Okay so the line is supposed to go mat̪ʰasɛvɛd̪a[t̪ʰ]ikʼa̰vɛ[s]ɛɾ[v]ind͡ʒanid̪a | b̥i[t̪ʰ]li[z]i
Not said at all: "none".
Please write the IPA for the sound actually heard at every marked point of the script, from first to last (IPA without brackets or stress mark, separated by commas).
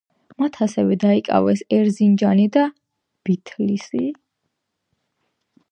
none, s, z, t̪ʰ, s